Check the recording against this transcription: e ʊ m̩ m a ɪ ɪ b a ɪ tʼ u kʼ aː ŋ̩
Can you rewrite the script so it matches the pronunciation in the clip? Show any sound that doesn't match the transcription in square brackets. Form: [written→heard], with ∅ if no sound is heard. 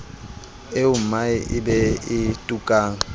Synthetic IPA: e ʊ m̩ m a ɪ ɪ b [a→ɛ] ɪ tʼ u kʼ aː ŋ̩